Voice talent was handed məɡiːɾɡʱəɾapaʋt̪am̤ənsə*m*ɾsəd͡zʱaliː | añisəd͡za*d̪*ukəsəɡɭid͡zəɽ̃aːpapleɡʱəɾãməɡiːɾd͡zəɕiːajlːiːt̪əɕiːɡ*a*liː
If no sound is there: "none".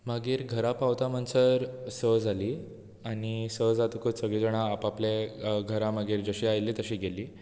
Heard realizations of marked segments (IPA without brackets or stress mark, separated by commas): none, t̪, e